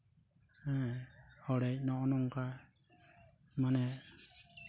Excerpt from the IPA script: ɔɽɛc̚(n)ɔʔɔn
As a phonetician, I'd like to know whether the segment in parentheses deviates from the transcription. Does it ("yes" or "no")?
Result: no